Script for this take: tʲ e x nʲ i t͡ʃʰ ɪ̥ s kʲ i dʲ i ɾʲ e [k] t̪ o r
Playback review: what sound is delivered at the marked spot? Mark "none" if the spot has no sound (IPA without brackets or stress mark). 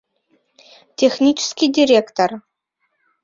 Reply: k